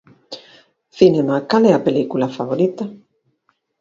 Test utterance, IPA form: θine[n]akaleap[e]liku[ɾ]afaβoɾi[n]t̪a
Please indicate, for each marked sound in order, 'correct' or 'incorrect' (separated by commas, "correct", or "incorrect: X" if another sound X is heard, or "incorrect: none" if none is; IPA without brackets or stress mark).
incorrect: m, correct, incorrect: l, incorrect: none